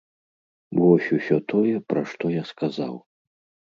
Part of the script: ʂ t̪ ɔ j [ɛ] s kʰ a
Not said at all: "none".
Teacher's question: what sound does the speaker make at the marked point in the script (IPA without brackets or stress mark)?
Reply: a